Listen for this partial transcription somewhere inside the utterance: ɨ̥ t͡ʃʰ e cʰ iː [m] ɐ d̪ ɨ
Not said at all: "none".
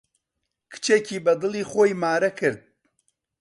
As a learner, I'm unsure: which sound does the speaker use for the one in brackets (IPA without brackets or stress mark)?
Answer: b